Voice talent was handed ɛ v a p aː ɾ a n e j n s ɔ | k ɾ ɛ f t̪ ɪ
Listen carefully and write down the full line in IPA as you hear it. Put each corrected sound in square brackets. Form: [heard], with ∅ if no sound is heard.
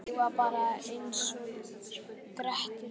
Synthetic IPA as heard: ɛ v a p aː ɾ a [∅] e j n s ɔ | k ɾ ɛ [h] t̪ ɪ